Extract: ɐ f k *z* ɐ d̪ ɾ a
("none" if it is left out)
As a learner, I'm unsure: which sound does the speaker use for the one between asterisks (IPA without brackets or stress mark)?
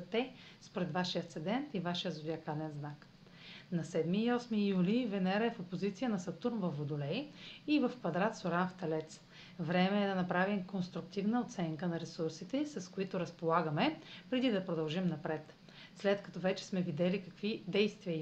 v